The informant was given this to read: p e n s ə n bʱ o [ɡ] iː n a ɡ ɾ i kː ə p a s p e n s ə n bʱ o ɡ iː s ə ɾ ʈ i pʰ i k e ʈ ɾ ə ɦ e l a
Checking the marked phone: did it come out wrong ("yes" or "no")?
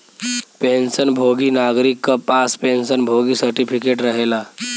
no